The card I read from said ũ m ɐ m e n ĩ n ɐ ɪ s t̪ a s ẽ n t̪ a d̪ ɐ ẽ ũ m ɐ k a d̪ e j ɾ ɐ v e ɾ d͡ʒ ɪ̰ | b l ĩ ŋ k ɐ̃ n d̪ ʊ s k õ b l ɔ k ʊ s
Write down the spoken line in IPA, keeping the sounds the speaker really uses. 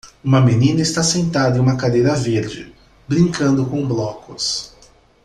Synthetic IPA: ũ m ɐ m e n ĩ n ɐ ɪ s t̪ a s ẽ n t̪ a d̪ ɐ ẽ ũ m ɐ k a d̪ e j ɾ ɐ v e ɾ d͡ʒ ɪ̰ | b ɾ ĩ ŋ k ɐ̃ n d̪ ʊ k õ b l ɔ k ʊ s